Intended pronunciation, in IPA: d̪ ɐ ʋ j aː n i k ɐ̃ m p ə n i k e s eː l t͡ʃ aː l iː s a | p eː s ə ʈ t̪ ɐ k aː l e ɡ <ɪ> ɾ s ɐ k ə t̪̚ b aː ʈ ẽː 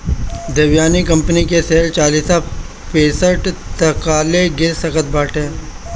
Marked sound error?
no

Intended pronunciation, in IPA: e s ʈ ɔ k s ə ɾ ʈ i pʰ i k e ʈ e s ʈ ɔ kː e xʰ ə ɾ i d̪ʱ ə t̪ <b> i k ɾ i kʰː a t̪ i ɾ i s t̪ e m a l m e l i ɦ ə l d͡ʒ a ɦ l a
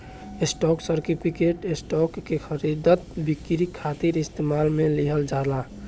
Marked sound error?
no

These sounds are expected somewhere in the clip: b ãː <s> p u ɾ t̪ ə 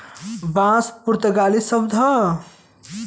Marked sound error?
no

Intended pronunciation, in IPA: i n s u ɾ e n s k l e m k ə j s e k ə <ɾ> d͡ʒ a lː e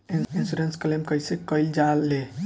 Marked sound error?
yes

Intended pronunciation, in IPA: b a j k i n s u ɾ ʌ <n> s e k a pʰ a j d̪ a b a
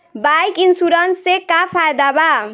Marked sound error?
no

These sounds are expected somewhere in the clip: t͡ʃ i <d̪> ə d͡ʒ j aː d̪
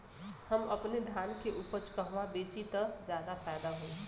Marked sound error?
yes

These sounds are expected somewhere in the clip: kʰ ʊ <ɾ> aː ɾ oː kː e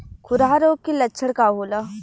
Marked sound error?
no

